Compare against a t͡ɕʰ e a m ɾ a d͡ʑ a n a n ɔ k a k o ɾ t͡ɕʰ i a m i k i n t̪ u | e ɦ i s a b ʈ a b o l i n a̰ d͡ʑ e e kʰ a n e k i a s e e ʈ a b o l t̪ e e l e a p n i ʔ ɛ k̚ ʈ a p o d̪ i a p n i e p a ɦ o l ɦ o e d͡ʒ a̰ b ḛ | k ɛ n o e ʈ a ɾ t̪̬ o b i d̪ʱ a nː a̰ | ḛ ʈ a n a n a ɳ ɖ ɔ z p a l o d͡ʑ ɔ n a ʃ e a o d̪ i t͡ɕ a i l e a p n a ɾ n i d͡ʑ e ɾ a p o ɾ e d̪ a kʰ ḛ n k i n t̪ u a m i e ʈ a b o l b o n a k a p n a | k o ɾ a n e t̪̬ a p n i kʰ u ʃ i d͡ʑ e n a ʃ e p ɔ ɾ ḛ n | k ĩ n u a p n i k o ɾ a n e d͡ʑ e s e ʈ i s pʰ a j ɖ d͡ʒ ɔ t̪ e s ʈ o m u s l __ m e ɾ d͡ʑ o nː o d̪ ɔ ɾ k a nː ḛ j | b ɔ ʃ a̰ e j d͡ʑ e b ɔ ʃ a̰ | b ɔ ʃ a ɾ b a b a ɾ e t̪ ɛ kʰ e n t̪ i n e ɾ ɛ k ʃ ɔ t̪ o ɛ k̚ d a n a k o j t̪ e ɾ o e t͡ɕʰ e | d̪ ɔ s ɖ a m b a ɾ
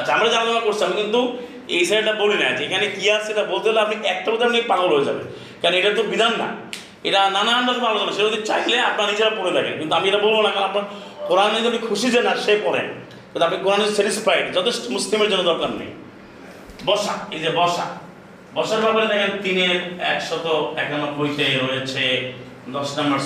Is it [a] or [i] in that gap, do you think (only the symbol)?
i